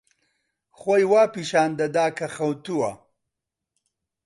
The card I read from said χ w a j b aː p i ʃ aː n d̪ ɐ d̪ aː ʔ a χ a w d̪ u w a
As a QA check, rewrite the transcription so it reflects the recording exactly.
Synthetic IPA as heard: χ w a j w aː p i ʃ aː n d̪ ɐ d̪ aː k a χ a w t̪ u w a

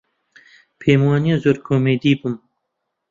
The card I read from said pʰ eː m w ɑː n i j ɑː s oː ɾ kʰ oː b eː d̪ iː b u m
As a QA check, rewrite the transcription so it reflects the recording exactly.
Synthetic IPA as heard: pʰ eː m w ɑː n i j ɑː z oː ɾ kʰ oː m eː d̪ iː b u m

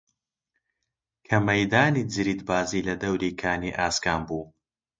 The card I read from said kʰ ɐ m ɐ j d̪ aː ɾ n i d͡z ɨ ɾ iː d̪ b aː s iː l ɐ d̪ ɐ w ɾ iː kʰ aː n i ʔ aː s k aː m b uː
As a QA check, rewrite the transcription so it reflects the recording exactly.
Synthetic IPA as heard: kʰ ɐ m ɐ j d̪ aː n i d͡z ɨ ɾ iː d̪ b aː z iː l ɐ d̪ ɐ w ɾ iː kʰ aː n i ʔ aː s k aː m b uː

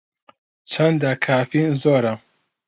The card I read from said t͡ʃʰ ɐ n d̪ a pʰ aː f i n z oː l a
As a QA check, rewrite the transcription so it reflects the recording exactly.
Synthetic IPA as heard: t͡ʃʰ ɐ n d̪ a kʰ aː f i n z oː ɾ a

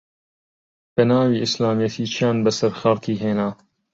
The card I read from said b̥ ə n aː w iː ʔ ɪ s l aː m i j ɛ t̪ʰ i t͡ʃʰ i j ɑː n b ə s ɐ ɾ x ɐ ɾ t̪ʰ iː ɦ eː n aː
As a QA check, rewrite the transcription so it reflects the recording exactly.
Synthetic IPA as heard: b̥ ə n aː w iː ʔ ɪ s l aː m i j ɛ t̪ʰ iː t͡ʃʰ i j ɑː n b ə s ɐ ɾ x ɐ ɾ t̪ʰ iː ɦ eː n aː

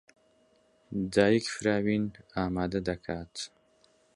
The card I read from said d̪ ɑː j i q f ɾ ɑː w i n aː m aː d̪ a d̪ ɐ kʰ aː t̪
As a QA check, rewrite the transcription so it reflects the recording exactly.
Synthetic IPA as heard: d̪ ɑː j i k f ɾ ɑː w i n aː m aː d̪ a d̪ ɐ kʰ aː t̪

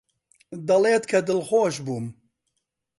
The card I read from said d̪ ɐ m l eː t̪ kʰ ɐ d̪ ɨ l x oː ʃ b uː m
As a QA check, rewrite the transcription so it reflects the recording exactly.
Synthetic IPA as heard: d̪ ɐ l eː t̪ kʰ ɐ d̪ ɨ l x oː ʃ b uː m

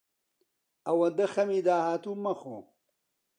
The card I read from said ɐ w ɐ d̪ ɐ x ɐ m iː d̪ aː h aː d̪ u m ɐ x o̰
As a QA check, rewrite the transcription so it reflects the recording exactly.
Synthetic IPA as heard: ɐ w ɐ d̪ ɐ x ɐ m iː d̪ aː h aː t̪ u m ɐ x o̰

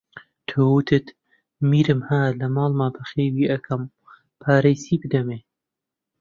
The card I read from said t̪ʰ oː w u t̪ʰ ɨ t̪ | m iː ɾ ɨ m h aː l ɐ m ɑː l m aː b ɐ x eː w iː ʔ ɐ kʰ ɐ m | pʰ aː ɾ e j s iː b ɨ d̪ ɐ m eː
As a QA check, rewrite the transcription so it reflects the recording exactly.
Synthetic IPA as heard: t̪ʰ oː w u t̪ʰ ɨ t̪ | m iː ɾ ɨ m h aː l ɐ m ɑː l m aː b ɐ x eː w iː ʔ ɐ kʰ ɐ m | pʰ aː ɾ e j s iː b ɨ d̪ ɐ m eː

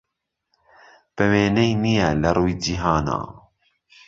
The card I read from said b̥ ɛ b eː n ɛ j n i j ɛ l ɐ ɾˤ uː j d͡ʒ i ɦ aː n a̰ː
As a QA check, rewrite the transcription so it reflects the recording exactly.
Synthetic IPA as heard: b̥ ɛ w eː n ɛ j n i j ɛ l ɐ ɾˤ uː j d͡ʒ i ɦ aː n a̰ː

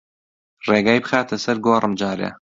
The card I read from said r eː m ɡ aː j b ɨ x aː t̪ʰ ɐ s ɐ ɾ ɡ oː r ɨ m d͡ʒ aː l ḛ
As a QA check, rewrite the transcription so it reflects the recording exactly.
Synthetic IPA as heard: r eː ɡ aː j b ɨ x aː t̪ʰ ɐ s ɐ ɾ ɡ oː r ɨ m d͡ʒ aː ɾ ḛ

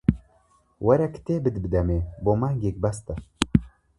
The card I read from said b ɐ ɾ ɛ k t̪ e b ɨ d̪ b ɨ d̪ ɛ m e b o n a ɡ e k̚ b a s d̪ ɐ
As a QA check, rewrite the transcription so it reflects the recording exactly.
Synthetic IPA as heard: w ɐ ɾ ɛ k t̪ e b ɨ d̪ b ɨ d̪ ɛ m e b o m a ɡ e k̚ b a s t̪ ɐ

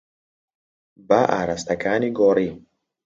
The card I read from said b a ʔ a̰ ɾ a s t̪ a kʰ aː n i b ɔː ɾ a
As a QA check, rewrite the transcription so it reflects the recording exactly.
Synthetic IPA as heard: b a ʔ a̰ ɾ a s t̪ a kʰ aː n i ɡ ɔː ɾ i

